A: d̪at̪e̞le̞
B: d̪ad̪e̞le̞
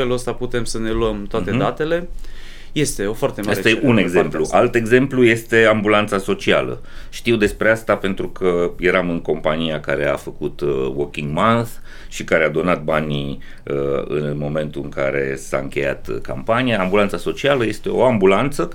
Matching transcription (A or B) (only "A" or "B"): A